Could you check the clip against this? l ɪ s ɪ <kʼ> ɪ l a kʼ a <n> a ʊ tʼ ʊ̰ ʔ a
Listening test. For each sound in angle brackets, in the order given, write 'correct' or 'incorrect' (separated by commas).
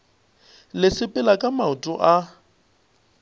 incorrect, incorrect